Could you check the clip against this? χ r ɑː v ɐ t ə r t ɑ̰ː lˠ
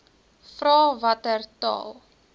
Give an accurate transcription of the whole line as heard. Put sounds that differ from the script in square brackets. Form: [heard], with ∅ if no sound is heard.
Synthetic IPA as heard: [f] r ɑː v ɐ t ə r t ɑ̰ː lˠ